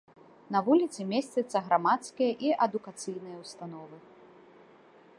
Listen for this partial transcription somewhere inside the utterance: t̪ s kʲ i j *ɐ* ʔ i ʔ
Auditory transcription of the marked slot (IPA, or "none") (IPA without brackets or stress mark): ɐ